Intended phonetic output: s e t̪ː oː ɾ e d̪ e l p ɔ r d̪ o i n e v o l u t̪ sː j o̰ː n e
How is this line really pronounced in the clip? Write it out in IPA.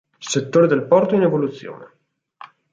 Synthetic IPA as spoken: s e t̪ː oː ɾ e d̪ e l p ɔ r t̪ o i n e v o l u t̪ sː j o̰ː n e